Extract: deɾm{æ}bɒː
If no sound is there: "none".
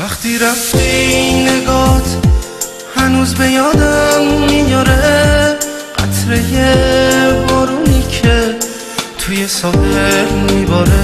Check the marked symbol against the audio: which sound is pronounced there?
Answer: i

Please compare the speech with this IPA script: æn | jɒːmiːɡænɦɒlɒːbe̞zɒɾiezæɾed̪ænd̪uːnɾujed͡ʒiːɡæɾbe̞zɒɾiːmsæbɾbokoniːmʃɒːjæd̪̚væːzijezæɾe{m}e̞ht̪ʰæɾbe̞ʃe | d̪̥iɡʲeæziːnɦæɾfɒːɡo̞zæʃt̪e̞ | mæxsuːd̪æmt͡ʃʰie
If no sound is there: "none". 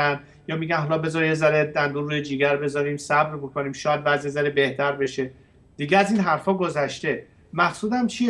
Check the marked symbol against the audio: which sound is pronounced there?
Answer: b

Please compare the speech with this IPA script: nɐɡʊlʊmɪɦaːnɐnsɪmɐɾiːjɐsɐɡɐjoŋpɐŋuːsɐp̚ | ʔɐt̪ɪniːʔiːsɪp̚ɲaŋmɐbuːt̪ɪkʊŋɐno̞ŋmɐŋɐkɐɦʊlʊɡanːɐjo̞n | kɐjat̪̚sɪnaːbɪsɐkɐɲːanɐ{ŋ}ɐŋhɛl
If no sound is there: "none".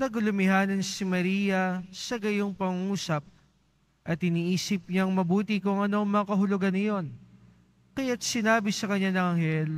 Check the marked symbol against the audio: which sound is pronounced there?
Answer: ŋ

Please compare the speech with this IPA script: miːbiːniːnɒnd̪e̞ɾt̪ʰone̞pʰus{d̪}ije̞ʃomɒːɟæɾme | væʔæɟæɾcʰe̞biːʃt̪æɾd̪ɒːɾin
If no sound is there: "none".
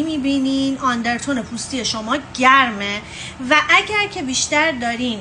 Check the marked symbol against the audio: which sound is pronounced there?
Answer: t̪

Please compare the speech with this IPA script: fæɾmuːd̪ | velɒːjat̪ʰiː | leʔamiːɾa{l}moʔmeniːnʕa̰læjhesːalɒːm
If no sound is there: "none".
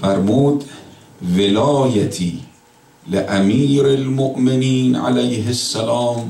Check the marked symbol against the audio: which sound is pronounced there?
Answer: l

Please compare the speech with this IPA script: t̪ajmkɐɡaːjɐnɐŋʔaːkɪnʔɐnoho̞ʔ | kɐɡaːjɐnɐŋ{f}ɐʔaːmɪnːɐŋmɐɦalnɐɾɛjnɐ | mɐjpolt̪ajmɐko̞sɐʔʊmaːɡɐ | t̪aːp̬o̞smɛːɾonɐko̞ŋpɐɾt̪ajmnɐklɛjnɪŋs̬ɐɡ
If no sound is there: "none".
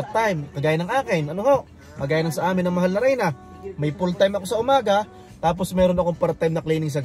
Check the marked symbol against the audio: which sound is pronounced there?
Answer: s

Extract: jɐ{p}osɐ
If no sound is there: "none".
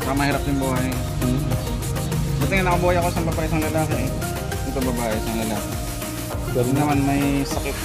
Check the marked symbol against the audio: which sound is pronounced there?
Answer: k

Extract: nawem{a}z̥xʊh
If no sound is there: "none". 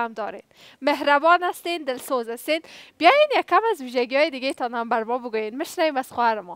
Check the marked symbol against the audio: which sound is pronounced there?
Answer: a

